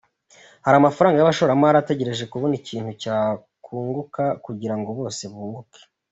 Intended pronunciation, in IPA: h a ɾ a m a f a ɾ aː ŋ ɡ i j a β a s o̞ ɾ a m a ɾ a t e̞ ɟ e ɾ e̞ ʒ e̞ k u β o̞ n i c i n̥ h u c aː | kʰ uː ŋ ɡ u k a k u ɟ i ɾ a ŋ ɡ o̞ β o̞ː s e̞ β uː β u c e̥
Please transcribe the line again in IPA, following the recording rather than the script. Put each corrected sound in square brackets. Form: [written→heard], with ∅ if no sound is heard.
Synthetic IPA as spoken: h a ɾ a m a f a ɾ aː ŋ ɡ [i→a] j a β a [s→ʃ] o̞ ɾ a m a ɾ a t e̞ ɟ e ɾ e̞ ʒ e̞ k u β o̞ n i c [i→iː] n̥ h u c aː | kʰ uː ŋ ɡ u k a k u ɟ i ɾ a ŋ ɡ o̞ β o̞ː s e̞ β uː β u [c→k] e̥